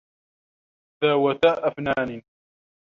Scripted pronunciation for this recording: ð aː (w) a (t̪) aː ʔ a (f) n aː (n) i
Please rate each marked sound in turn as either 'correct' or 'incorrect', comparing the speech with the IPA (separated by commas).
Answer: correct, correct, correct, correct